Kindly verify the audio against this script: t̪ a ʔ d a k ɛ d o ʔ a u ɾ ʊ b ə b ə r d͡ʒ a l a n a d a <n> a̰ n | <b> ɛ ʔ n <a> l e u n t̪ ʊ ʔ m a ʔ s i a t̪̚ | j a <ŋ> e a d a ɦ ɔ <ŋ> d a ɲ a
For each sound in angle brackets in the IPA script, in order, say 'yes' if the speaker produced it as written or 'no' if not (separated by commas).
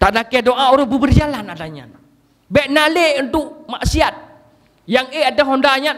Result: no, yes, yes, yes, no